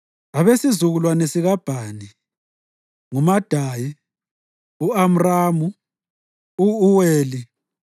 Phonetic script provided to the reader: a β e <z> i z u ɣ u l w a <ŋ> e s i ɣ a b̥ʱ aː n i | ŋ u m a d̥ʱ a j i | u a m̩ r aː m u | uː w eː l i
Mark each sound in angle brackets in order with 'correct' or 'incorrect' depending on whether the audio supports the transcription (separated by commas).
incorrect, incorrect